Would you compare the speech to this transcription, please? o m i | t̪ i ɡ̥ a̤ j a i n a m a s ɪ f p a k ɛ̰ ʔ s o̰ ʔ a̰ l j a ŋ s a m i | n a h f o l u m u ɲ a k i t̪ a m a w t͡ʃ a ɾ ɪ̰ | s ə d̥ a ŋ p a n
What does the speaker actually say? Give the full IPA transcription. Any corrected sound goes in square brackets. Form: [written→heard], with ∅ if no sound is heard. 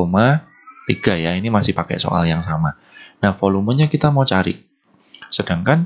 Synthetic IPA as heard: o m [i→a] | t̪ i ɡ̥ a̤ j a i n [a→i] m a s ɪ [f→h] p a k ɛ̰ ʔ s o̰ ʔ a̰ l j a ŋ s a m [i→a] | n a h f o l u m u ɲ a k i t̪ a m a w t͡ʃ a ɾ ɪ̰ | s ə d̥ a ŋ [p→k] a n

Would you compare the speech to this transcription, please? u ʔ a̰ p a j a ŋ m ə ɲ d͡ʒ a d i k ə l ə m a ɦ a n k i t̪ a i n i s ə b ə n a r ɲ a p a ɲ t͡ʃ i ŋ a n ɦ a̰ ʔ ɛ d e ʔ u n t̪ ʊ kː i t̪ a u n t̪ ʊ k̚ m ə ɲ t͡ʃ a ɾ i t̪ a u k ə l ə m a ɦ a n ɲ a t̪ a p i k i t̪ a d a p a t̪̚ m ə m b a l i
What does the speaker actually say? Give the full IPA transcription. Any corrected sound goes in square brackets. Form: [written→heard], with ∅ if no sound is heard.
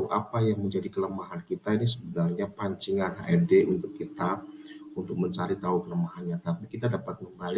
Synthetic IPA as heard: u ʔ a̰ p a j a ŋ m ə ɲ d͡ʒ a d i k ə l ə m a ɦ a n k i t̪ a i n i s ə b ə n a r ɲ a p a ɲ t͡ʃ i ŋ a n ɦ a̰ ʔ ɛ d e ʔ u n t̪ ʊ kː i t̪ a u n t̪ ʊ k̚ m ə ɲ t͡ʃ a ɾ i t̪ a u k ə l ə m a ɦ a n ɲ a t̪ a p i k i t̪ a d a p a t̪̚ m ə m b a l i

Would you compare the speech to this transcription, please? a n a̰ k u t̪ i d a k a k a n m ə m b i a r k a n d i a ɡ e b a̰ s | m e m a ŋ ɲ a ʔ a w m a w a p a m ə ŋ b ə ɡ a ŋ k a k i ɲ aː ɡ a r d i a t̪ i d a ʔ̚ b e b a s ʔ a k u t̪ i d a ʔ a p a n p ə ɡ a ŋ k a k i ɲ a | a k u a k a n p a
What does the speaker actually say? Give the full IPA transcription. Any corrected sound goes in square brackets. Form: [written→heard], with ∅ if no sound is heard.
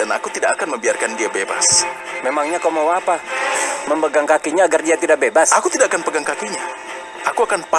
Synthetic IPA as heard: a n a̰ k u t̪ i d a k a k a n m ə m b i a r k a n d i a [ɡ→b] e b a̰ s | m e m a ŋ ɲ a [ʔ→k] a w m a w a p a m ə [ŋ→m] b ə ɡ a ŋ k a k i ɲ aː ɡ a r d i a t̪ i d a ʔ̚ b e b a s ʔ a k u t̪ i d a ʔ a [p→k] a n p ə ɡ a ŋ k a k i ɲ a | a k u a k a n p a

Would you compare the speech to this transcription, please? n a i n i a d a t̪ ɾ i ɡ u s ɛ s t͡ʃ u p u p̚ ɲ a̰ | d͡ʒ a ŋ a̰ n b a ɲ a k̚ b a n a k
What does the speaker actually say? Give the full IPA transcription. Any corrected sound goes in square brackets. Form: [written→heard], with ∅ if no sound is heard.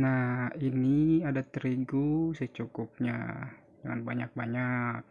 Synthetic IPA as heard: n a i n i a d a t̪ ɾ i ɡ u s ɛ [s→∅] t͡ʃ u [p→k] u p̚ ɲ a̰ | d͡ʒ a ŋ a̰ n b a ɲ a k̚ b a [n→ɲ] a k

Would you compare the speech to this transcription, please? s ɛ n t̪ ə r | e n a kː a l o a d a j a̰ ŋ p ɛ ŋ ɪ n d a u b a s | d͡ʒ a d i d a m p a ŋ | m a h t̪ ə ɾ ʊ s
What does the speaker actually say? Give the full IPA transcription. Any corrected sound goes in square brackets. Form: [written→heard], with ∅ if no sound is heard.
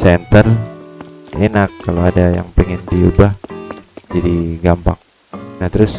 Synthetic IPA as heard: s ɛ n t̪ ə r | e n a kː a l o a d a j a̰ ŋ p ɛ ŋ ɪ n d [a→i] u b a [s→h] | d͡ʒ a d i [d→ɡ] a m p a ŋ | [m→n] a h t̪ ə ɾ ʊ s

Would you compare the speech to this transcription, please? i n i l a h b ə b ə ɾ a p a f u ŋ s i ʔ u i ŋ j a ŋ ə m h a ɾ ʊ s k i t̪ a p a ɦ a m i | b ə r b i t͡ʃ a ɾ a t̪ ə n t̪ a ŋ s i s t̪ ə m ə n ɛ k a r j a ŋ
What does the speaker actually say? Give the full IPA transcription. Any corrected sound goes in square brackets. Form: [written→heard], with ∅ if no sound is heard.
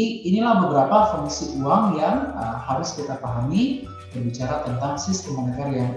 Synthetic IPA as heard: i n i l a h b ə b ə ɾ a p a f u ŋ s i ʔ u [i→a] ŋ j a ŋ ə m h a ɾ ʊ s k i t̪ a p a ɦ a m i | b ə r b i t͡ʃ a ɾ a t̪ ə n t̪ a ŋ s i s t̪ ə m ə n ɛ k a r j a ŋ

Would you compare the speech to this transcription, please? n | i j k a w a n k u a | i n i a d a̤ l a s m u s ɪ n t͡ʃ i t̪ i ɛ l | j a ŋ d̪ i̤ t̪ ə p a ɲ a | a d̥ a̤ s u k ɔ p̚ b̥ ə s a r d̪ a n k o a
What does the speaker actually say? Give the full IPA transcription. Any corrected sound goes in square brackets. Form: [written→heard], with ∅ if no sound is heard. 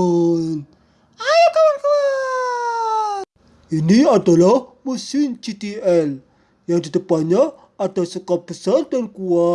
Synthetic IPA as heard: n | [i→a] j k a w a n k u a | i n i a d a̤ l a [s→h] m u s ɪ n t͡ʃ i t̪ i ɛ l | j a ŋ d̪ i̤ t̪ ə p a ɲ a | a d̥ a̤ s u k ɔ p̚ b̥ ə s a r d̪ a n k [o→u] a

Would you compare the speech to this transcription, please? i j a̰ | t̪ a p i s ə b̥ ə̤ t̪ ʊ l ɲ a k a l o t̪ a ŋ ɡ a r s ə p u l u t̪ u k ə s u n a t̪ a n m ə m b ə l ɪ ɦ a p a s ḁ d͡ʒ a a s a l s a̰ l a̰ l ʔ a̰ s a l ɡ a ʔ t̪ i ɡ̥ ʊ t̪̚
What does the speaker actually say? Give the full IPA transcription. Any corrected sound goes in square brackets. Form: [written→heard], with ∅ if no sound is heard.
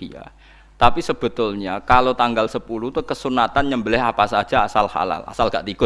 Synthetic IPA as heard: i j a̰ | t̪ a p i s ə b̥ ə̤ t̪ ʊ l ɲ a k a l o t̪ a ŋ ɡ a [r→l] s ə p u l u t̪ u k ə s u n a t̪ a n [m→ɲ] ə m b ə l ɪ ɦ a p a s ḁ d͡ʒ a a s a l [s→h] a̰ l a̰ l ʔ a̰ s a l ɡ a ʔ t̪ i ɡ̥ ʊ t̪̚

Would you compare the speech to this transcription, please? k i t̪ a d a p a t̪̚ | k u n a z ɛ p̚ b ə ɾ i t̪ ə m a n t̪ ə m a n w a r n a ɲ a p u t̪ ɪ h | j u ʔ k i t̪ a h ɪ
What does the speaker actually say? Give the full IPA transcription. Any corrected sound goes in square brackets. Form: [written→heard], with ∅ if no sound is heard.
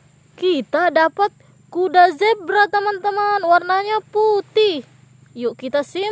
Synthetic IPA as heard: k i t̪ a d a p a t̪̚ | k u [n→d] a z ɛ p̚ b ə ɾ [i→a] t̪ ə m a n t̪ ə m a n w a r n a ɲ a p u t̪ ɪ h | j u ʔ k i t̪ a [h→s] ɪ

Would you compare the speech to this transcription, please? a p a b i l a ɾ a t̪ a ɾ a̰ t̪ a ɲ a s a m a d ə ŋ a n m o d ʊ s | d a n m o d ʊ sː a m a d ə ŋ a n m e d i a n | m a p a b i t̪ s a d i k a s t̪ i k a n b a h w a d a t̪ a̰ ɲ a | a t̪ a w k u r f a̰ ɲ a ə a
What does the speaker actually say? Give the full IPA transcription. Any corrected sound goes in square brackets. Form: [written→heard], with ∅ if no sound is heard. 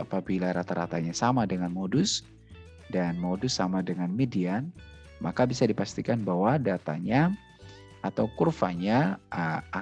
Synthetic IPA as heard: a p a b i l a ɾ a t̪ a ɾ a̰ t̪ a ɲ a s a m a d ə ŋ a n m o d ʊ s | d a n m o d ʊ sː a m a d ə ŋ a n m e d i a n | m a [p→k] a b i [t̪→∅] s a d i [k→p] a s t̪ i k a n b a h w a d a t̪ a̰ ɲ a | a t̪ a w k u r f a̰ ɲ a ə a

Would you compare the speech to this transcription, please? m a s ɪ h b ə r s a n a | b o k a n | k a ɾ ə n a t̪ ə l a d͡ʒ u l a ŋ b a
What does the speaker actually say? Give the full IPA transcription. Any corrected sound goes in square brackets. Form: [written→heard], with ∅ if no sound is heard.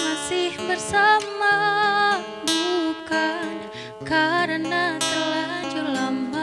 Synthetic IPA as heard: m a s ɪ h b ə r s a [n→m] a | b [o→u] k a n | k a ɾ ə n a t̪ ə l a d͡ʒ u l a [ŋ→m] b a

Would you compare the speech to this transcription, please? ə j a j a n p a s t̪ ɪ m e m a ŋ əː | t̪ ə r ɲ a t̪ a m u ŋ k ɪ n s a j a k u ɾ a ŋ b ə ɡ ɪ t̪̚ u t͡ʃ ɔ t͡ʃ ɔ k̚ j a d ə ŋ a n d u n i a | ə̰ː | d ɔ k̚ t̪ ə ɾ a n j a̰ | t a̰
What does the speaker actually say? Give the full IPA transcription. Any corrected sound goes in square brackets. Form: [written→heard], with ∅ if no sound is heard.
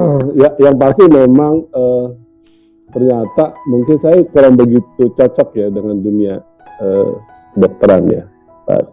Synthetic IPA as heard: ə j a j a [n→ŋ] p a s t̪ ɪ m e m a ŋ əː | t̪ ə r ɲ a t̪ a m u ŋ k ɪ n s a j a k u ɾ a ŋ b ə ɡ [ɪ→i] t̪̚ u t͡ʃ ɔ t͡ʃ ɔ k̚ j a d ə ŋ a n d u n i a | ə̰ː | d ɔ k̚ t̪ ə ɾ a n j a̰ | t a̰

